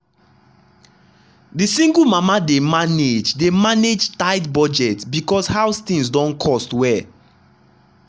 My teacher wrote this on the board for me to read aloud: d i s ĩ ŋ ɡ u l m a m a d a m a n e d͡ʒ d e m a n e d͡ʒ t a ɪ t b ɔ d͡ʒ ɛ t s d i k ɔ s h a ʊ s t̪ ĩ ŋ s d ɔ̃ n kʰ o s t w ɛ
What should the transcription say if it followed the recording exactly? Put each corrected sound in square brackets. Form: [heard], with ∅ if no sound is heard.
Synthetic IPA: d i s ĩ ŋ ɡ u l m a m a d [e] m a n e d͡ʒ d e m a n e d͡ʒ t a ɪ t b ɔ d͡ʒ ɛ t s [b] i k ɔ s h a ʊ s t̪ ĩ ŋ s d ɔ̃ n kʰ [ɔ] s t w ɛ